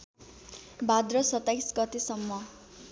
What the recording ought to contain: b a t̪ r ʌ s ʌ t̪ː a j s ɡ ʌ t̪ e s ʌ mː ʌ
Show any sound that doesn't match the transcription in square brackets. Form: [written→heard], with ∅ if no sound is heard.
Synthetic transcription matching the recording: b a [t̪→d̪] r ʌ s ʌ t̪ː a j s ɡ ʌ t̪ e s ʌ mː ʌ